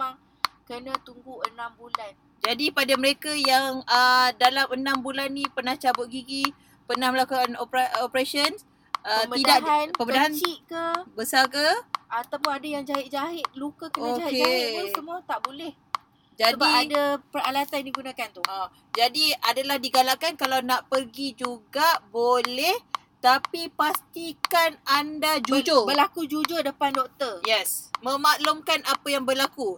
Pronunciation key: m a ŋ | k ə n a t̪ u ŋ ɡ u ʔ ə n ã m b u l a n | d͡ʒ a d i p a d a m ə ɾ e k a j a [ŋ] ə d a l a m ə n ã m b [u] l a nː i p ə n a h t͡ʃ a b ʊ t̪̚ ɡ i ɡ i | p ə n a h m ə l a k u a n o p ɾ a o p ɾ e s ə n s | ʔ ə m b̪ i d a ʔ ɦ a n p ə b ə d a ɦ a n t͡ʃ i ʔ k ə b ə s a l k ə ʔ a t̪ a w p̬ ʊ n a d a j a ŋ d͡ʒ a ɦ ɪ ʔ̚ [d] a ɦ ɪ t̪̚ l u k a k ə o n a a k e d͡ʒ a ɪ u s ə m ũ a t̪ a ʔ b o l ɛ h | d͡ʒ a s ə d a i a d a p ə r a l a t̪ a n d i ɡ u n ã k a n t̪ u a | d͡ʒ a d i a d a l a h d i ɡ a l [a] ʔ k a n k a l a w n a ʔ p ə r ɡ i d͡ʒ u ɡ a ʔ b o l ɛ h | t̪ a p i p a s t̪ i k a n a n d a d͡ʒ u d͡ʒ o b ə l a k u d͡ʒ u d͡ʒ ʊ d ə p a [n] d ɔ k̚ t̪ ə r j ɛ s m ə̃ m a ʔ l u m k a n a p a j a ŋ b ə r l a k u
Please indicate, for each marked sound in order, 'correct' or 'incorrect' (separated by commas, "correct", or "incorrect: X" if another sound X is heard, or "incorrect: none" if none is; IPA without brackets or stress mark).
correct, correct, incorrect: d͡ʒ, correct, correct